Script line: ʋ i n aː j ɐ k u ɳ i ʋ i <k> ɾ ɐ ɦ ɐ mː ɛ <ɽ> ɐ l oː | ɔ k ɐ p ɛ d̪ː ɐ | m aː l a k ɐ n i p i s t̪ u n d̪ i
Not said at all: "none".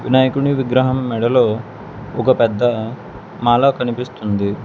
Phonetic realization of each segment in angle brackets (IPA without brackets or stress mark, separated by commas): ɡ, ɽ